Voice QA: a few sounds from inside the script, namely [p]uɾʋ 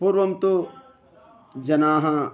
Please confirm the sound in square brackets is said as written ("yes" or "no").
yes